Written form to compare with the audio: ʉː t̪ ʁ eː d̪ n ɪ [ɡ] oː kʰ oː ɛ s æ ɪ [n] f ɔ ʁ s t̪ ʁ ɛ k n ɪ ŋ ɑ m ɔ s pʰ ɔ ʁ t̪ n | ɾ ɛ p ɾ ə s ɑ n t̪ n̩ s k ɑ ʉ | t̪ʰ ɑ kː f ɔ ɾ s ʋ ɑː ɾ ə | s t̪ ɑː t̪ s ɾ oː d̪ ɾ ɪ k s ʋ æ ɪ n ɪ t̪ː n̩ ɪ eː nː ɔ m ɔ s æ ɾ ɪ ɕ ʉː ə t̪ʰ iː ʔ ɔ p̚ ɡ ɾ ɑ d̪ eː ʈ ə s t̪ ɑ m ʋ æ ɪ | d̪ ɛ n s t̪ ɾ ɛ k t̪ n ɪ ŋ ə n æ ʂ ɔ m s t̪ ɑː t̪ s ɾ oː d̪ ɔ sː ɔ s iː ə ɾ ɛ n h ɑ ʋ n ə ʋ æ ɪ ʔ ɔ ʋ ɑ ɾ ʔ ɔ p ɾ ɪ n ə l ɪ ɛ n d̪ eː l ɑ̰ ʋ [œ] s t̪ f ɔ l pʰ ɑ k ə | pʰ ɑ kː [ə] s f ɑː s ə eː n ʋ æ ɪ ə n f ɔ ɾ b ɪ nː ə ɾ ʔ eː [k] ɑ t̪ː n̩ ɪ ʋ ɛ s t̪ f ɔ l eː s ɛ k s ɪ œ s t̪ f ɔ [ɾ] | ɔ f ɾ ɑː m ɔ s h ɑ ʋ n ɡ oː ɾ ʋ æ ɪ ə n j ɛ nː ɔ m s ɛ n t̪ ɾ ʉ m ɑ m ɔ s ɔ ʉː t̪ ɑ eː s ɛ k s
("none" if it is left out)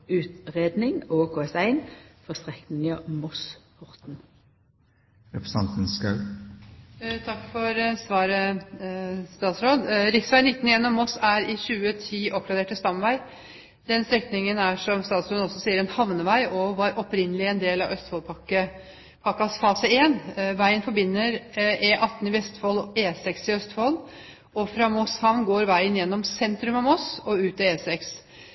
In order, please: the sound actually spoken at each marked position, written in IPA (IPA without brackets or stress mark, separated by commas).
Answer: ŋ, n, œ, ɑ, ʔ, l